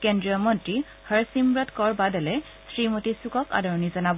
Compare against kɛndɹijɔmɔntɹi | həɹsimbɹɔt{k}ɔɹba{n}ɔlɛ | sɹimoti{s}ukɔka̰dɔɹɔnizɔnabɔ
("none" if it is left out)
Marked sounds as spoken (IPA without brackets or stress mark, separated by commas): k, d, s